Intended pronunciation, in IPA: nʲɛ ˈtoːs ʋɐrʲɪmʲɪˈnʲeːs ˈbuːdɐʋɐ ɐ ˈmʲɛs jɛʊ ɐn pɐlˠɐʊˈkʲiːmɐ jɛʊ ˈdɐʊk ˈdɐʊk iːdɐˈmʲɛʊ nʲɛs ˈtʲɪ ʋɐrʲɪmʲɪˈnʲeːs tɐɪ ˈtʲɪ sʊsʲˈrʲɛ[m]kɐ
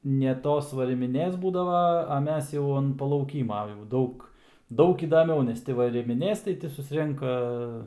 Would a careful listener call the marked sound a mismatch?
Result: yes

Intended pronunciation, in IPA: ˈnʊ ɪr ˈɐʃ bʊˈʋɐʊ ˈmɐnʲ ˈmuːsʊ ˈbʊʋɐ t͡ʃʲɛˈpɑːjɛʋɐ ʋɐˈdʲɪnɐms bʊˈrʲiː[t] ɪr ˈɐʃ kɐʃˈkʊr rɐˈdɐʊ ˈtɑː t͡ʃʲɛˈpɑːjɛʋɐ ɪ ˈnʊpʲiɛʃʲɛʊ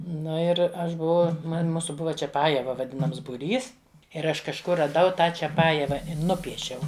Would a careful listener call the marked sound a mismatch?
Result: yes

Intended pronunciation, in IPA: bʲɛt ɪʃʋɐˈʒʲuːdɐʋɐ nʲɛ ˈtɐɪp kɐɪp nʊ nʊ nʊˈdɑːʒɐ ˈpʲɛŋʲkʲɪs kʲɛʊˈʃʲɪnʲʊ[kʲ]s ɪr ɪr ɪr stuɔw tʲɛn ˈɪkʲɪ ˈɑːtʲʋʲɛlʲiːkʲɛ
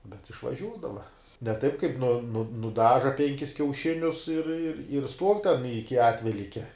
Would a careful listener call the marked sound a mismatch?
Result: yes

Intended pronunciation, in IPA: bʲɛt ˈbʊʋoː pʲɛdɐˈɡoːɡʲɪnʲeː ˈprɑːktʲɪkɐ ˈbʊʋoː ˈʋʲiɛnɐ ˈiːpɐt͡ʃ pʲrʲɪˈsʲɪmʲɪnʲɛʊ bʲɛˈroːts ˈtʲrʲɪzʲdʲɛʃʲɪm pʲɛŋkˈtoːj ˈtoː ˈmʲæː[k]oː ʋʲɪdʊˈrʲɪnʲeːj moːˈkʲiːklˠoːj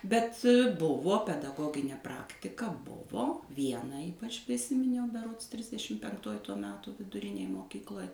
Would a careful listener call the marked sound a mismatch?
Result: yes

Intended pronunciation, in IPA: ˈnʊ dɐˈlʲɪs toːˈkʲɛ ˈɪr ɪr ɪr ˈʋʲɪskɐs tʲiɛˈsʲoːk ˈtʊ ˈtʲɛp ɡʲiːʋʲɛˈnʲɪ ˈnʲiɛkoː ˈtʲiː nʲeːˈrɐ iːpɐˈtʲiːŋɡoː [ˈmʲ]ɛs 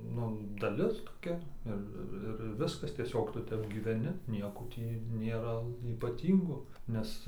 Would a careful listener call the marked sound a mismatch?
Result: yes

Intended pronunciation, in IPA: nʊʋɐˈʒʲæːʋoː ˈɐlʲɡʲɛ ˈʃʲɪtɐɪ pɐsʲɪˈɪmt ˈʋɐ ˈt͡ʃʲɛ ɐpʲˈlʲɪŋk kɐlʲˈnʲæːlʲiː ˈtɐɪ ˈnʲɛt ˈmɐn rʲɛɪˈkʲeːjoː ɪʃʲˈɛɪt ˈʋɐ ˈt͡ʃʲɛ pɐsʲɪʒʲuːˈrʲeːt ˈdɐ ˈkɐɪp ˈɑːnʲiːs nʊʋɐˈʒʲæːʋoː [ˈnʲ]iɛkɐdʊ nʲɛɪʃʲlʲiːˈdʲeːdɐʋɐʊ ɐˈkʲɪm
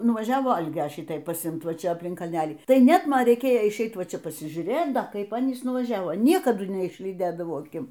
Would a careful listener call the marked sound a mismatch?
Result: no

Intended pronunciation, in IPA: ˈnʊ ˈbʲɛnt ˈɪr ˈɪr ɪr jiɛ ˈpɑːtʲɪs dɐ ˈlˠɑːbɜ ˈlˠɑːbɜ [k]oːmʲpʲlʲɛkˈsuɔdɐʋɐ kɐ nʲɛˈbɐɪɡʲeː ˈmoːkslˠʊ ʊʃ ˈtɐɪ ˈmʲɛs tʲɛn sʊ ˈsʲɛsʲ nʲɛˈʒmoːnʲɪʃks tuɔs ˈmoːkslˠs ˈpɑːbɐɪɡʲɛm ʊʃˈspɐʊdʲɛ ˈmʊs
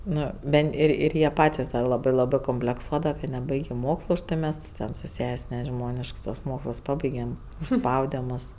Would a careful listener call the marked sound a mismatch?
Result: no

